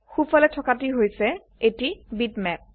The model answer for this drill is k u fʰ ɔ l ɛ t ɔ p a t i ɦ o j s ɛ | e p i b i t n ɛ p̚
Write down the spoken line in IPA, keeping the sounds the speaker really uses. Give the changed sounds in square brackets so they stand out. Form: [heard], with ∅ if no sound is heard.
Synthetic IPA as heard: [x] u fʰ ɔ l ɛ [tʰ] ɔ [k] a t i ɦ o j s ɛ | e [t] i b i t [m] ɛ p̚